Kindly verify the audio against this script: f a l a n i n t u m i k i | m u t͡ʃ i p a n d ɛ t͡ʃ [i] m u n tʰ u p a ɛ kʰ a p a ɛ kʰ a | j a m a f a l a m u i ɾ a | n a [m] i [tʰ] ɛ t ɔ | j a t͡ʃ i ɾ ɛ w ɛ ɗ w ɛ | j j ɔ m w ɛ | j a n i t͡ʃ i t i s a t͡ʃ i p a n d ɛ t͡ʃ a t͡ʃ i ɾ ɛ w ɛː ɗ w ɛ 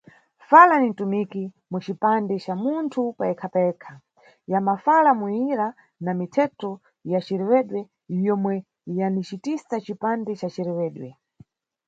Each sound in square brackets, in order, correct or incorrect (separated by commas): incorrect, correct, correct